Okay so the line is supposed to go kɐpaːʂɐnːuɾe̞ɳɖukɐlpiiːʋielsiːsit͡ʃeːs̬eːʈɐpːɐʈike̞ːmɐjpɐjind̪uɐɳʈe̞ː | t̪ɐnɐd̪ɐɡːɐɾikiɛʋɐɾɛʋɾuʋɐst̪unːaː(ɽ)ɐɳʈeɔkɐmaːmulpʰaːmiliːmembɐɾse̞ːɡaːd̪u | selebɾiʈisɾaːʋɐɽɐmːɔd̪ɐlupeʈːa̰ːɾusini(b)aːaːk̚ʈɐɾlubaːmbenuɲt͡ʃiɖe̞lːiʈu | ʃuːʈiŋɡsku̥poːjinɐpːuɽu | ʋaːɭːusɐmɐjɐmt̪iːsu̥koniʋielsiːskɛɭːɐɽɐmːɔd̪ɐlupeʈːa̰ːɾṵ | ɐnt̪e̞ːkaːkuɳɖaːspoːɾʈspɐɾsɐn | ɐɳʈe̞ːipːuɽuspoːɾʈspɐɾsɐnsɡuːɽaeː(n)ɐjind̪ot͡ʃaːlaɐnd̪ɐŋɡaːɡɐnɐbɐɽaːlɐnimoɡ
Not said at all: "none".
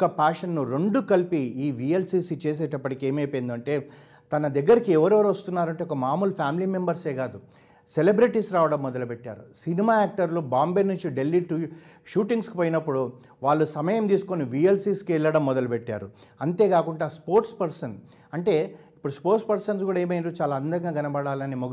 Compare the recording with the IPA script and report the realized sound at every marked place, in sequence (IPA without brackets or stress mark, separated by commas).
ɾ, m, m